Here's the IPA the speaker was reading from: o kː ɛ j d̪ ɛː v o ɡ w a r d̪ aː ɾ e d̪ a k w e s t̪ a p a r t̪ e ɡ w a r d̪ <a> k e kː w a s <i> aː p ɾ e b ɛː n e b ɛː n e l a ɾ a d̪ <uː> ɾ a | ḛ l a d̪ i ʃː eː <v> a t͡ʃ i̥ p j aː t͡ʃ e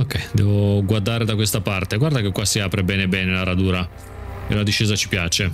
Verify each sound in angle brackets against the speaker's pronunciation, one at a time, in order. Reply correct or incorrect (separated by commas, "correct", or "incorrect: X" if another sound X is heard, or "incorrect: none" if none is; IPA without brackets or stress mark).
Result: correct, correct, correct, incorrect: z